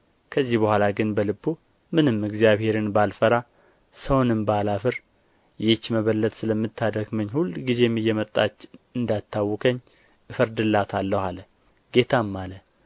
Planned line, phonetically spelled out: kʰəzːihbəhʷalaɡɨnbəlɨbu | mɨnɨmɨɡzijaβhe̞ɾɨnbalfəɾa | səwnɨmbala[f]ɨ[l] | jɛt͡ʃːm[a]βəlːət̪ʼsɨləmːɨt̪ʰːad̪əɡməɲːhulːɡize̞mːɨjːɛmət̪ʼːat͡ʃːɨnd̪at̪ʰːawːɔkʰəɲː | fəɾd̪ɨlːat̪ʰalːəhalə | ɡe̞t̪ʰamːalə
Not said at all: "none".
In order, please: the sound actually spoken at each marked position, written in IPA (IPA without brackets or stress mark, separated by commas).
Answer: f, ɾ, ə